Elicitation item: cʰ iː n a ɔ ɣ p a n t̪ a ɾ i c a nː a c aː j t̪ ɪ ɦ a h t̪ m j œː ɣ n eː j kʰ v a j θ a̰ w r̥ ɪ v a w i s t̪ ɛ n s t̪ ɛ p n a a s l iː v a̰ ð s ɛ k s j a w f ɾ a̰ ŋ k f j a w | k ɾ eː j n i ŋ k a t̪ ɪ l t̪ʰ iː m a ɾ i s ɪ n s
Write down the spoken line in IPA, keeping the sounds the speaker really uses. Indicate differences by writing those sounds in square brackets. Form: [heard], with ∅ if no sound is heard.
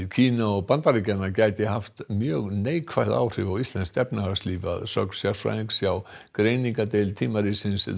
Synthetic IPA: cʰ iː n a ɔ ɣ p a n t̪ a ɾ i c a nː a c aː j t̪ ɪ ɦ a [f] t̪ m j œː ɣ n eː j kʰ v a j [ð] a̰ w r̥ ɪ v a w i s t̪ ɛ n s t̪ ɛ p n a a s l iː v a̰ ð s [œ] k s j a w f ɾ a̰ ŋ k [s] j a w | k ɾ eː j n i ŋ k a t̪ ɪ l t̪ʰ iː m a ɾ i s ɪ n s